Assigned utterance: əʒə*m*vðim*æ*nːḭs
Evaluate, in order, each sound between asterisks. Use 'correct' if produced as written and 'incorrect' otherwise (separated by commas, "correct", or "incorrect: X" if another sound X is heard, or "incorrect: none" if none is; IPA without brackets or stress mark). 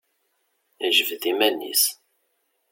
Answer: incorrect: none, correct